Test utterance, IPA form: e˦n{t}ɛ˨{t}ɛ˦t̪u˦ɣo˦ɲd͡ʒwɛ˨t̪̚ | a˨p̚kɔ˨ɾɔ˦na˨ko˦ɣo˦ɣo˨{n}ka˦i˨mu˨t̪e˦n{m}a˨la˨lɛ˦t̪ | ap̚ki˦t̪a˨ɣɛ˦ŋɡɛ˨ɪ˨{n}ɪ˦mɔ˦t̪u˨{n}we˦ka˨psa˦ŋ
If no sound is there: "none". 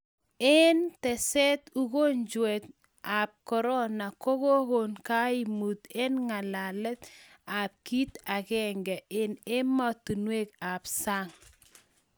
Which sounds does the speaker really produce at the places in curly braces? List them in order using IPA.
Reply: t, s, n, ŋ, n, n

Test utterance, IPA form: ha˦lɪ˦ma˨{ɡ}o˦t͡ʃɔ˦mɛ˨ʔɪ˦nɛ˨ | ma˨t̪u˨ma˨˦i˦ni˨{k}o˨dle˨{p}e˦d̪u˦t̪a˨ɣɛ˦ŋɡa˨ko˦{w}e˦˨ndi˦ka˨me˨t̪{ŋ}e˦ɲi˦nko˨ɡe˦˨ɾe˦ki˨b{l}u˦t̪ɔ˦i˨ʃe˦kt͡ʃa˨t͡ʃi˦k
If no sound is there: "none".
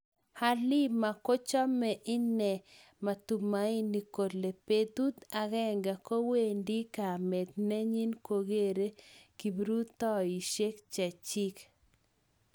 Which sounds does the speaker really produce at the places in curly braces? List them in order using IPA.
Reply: k, k, p, w, n, ɾ

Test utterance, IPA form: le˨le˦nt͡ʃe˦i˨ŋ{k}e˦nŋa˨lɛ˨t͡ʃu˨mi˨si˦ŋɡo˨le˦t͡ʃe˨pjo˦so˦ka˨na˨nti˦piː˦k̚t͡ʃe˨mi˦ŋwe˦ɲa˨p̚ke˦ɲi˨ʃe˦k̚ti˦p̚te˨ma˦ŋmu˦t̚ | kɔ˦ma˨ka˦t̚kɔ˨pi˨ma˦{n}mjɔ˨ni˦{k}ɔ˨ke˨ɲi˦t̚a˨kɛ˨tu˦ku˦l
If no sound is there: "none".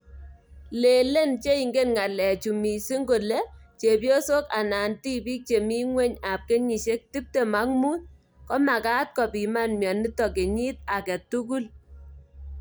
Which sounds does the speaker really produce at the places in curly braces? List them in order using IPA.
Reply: ɡ, n, t

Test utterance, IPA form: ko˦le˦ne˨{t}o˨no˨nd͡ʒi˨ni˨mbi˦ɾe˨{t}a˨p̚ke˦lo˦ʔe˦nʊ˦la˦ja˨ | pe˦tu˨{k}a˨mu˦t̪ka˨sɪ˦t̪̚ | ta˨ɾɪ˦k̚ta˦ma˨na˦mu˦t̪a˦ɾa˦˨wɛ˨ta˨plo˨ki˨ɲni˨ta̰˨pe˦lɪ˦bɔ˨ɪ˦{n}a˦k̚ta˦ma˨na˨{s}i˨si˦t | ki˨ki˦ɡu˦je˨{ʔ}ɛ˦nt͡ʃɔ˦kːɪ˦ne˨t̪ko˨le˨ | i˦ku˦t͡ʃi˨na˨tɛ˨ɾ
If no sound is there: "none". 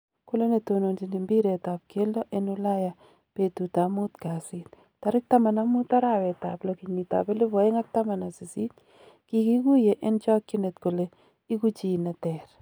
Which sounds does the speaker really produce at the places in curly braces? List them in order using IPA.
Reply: t, t, t, ŋ, s, ʔ

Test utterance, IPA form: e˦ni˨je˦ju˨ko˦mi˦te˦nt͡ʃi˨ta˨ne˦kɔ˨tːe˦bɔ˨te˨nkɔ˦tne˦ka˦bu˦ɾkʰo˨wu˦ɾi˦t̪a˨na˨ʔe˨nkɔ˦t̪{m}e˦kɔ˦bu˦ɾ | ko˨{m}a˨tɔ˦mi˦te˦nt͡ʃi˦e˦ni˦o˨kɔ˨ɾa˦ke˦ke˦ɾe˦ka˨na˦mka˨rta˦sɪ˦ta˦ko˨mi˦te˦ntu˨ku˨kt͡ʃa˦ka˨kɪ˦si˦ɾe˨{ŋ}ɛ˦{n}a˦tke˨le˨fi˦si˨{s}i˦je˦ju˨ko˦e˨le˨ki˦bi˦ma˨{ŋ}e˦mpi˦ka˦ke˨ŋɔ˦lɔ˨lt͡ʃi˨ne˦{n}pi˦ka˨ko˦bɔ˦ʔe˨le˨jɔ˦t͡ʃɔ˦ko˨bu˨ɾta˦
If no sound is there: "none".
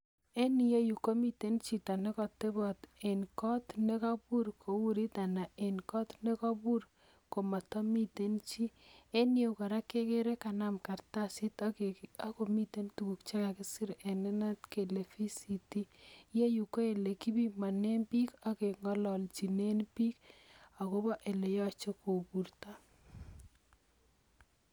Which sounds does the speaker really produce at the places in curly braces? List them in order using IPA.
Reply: n, m, n, n, t, n, n

